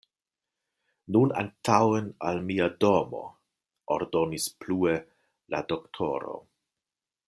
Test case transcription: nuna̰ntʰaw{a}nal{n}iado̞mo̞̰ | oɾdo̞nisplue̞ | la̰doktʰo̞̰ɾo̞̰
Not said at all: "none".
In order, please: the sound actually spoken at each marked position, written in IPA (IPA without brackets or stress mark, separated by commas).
e, m